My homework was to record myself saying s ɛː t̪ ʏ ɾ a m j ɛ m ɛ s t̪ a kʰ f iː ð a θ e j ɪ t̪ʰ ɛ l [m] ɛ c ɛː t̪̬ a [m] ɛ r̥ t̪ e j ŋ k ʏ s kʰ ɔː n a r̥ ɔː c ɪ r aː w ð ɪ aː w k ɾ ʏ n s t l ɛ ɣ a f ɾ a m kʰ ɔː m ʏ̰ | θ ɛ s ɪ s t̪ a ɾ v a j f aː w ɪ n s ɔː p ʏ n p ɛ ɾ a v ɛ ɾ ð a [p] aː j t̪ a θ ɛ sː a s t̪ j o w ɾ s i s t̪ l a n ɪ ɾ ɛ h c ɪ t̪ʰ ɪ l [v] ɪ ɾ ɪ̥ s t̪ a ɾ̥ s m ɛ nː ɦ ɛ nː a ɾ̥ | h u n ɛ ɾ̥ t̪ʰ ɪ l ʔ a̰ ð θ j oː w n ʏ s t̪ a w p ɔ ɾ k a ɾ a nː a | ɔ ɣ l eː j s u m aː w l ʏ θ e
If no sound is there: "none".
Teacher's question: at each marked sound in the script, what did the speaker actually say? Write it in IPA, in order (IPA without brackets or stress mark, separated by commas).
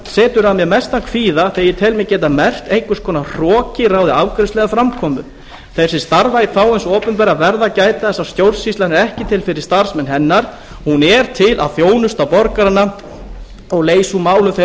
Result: m, m, c, f